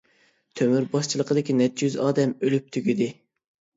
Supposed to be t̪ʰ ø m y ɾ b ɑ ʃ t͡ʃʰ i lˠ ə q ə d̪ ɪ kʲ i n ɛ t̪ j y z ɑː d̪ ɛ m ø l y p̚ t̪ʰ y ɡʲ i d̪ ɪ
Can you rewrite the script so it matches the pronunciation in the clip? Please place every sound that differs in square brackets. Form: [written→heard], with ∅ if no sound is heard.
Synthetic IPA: t̪ʰ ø m y ɾ b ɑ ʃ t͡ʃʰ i lˠ ə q ə d̪ ɪ kʲ i n ɛ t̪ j y z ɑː d̪ ɛ m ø l y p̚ t̪ʰ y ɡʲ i d̪ ɪ